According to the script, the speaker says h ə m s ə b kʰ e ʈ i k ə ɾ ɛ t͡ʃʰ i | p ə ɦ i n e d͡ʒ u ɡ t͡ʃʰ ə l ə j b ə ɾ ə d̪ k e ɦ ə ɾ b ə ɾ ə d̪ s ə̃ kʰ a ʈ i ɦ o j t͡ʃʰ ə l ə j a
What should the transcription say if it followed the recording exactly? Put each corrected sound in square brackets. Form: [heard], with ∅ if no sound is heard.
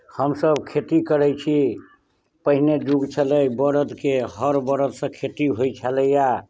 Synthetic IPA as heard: h ə m s ə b kʰ e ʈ i k ə ɾ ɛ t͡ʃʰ i | p ə ɦ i n e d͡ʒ u ɡ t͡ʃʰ ə l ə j b ə ɾ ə d̪ k e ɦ ə ɾ b ə ɾ ə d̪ s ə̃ kʰ [e] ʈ i ɦ o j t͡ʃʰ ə l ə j a